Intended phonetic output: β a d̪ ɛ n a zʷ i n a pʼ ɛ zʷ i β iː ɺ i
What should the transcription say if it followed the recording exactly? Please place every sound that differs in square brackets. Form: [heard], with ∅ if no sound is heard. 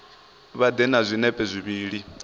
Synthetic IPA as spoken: β a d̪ ɛ n a zʷ i n [ɛ] pʼ ɛ zʷ i β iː ɺ i